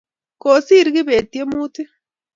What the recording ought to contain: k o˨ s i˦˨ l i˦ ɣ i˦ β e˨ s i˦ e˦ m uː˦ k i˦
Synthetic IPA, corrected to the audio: k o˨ s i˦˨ ɾ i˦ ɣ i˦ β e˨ t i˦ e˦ m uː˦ t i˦